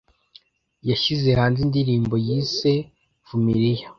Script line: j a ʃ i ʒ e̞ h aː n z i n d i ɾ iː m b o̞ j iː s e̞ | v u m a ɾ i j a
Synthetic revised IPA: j a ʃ i z e̞ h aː n z i n d i ɾ iː m b o̞ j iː s e̞ | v u m i ɾ i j a